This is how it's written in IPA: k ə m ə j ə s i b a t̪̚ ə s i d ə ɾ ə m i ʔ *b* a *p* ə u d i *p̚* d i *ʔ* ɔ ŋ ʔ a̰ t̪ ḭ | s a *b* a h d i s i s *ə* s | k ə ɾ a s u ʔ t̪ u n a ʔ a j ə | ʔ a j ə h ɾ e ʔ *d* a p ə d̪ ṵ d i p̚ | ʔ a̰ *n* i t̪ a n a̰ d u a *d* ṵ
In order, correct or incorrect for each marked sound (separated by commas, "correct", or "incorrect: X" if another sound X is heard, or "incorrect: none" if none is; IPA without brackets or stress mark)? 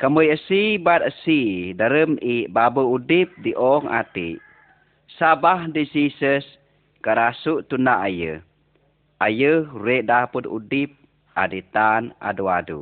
correct, incorrect: b, correct, correct, correct, correct, correct, incorrect: d, correct